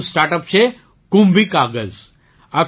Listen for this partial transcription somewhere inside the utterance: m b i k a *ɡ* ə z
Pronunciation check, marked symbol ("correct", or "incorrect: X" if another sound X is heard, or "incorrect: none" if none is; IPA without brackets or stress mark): correct